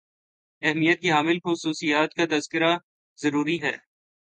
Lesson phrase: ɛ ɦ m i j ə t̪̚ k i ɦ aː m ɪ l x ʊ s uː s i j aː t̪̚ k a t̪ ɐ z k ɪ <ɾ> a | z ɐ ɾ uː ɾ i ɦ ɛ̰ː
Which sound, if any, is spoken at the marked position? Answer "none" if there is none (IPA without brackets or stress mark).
ɾ